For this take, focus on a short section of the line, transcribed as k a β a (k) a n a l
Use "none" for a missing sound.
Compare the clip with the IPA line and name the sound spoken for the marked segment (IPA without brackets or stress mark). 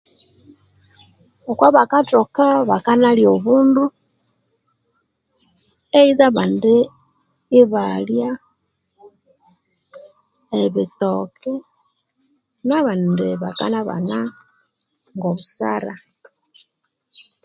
k